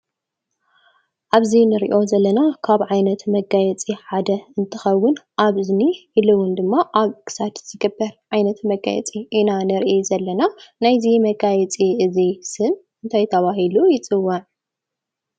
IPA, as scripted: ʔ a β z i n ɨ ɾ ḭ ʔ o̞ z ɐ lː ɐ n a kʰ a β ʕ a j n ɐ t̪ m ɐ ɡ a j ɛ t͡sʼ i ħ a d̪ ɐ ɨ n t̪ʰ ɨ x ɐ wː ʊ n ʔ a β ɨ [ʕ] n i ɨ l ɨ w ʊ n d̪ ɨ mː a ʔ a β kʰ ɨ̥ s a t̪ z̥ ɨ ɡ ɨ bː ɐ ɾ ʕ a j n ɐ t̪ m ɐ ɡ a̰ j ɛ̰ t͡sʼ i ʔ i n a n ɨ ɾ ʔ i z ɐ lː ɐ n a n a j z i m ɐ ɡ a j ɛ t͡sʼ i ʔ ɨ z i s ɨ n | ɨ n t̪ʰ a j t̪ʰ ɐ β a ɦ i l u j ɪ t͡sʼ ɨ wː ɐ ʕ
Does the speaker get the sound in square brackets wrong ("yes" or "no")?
yes